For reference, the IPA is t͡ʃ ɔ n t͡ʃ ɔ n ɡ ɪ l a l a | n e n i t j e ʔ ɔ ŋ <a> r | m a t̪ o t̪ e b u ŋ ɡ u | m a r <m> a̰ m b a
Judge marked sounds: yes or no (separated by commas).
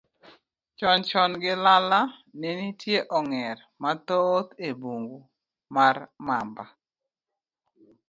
no, yes